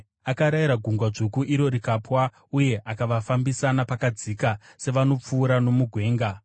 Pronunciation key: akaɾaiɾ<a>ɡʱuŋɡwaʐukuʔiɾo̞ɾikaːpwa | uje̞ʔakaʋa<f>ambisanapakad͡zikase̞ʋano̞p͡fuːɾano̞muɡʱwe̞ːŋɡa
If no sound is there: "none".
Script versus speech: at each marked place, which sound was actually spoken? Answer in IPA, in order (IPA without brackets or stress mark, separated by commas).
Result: a, f